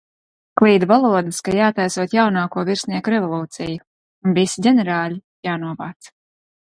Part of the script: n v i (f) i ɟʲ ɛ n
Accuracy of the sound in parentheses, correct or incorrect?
incorrect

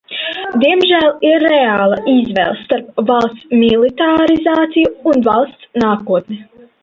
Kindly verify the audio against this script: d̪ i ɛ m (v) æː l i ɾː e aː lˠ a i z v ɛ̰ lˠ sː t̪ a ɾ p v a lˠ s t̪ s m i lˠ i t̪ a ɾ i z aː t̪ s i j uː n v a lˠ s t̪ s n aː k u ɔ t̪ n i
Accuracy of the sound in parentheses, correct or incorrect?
incorrect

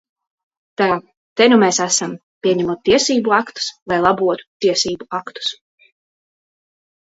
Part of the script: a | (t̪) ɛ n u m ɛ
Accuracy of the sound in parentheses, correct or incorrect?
correct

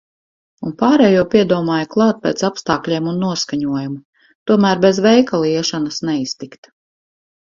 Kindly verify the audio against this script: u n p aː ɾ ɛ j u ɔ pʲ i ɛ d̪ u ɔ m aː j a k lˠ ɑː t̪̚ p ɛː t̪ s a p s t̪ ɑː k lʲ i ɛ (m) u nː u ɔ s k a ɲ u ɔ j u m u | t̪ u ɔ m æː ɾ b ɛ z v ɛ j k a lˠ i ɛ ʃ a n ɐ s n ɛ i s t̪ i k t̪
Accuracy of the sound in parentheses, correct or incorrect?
correct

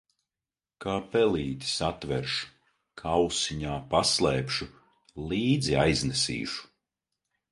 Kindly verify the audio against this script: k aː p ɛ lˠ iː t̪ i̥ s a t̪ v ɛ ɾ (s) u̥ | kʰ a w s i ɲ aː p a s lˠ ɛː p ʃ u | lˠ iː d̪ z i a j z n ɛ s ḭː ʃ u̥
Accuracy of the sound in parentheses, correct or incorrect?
incorrect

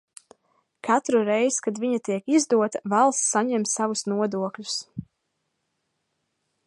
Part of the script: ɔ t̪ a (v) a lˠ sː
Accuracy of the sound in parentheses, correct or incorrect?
correct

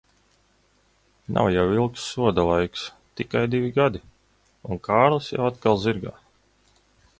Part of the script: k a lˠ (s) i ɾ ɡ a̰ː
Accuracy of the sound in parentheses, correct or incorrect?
incorrect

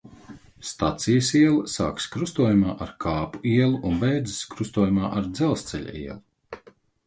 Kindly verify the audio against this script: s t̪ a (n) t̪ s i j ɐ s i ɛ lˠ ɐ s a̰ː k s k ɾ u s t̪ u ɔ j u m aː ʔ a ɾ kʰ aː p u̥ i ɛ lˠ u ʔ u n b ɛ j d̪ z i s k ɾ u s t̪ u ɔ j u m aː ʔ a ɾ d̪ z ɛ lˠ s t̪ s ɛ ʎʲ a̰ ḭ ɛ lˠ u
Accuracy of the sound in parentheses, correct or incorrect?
incorrect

